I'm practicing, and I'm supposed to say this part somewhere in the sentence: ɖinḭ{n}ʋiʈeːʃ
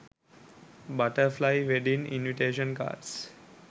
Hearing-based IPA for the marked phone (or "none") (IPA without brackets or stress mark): n